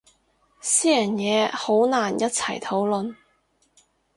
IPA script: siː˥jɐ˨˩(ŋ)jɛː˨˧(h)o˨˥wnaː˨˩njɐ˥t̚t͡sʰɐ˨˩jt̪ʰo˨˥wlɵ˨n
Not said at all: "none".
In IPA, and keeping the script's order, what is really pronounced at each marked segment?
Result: n, h

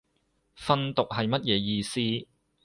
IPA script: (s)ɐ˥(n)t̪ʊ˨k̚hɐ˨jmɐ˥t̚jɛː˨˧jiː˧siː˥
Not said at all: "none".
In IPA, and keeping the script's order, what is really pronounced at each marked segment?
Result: f, n

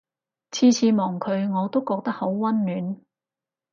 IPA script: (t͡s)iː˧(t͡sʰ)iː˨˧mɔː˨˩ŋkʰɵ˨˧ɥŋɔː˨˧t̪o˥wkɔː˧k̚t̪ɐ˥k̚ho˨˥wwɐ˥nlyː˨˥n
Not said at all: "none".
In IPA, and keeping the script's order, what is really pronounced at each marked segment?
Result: t͡sʰ, t͡sʰ

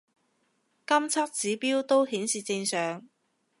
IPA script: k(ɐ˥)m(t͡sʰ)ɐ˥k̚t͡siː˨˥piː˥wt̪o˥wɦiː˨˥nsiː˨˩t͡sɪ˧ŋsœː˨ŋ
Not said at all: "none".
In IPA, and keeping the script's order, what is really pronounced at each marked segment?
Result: ɐ˥, t͡sʰ

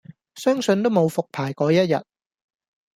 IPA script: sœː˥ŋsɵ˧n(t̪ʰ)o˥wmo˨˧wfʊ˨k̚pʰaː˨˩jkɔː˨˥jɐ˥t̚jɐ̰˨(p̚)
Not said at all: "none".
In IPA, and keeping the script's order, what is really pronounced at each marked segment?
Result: t̪, t̚

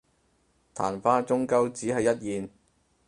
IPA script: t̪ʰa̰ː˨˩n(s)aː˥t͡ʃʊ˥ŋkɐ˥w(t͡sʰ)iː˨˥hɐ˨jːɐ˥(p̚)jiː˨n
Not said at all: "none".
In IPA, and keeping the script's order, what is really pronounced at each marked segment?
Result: f, t͡s, t̚

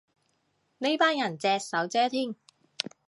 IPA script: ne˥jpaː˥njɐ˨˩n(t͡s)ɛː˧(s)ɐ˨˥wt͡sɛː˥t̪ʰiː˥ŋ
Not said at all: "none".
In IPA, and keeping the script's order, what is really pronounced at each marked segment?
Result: t͡s, s

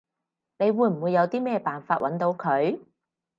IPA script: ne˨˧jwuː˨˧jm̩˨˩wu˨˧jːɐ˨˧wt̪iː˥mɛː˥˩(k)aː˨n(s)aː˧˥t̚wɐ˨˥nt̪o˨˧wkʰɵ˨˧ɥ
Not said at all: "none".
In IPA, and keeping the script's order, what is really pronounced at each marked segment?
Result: p, f

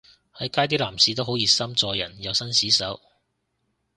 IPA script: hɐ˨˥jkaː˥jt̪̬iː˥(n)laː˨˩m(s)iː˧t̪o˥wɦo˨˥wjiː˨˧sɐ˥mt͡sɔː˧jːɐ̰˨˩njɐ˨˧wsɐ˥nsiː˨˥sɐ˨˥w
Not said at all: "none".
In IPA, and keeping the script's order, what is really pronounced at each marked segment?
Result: none, s

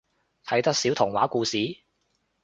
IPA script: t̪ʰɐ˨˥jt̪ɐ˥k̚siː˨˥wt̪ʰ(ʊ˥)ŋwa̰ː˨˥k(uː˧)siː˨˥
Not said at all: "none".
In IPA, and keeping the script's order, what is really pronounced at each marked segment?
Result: ʊ˨˩, uː˧

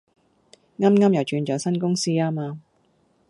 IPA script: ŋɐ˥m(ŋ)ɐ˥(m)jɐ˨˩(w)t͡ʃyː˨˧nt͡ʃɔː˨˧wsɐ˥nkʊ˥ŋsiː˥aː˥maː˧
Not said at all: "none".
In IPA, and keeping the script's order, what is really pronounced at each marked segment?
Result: ŋ, m, w

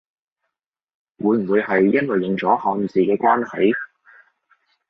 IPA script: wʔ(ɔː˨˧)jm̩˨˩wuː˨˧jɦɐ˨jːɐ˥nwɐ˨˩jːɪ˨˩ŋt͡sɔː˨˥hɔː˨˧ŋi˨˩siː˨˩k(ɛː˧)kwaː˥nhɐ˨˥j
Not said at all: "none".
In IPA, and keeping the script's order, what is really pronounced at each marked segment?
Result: uː˨˧, ɛː˧

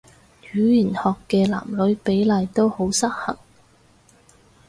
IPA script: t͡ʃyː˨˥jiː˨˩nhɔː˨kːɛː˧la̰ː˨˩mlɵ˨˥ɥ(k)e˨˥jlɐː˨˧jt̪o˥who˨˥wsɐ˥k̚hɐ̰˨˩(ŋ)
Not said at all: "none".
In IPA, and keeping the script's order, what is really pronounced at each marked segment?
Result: p, ŋ

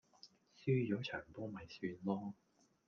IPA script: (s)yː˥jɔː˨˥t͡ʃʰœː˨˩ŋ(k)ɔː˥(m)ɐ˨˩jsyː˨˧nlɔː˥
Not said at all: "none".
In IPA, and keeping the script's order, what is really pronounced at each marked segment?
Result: s, p, m

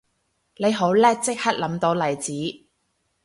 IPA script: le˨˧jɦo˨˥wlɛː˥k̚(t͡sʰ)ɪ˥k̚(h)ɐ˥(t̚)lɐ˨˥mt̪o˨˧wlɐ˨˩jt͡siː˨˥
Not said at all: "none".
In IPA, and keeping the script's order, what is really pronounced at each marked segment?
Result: t͡s, h, t̚

